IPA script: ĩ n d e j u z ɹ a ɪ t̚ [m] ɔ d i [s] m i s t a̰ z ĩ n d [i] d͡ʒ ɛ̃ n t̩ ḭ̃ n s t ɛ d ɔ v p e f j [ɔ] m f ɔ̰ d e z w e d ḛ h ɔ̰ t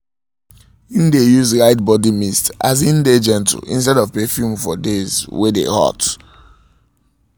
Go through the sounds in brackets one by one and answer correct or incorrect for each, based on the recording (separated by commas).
incorrect, incorrect, incorrect, incorrect